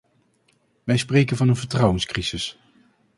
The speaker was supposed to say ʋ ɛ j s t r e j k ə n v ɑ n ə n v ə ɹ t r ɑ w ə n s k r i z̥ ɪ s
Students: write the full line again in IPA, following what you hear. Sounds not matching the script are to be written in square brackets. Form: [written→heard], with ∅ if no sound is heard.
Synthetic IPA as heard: ʋ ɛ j s [t→p] r e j k ə n v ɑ n ə n v ə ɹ t r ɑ w ə n s k r i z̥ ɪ s